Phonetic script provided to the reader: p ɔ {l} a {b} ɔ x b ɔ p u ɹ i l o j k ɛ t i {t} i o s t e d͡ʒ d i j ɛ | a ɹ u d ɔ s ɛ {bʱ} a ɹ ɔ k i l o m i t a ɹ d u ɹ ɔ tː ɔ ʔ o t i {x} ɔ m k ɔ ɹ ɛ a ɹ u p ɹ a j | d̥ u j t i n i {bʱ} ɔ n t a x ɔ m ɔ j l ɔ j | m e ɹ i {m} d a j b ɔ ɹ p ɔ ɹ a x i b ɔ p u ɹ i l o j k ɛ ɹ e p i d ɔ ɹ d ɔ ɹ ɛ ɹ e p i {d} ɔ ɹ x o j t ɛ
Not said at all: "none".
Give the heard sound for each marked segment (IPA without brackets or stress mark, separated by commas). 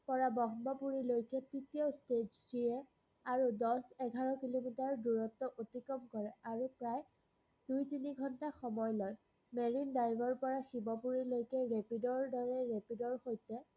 ɹ, b, t, ɡʱ, k, ɡʱ, n, d